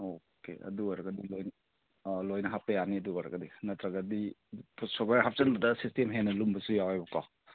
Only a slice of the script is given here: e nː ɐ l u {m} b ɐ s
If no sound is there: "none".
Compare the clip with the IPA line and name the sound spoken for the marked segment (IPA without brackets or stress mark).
m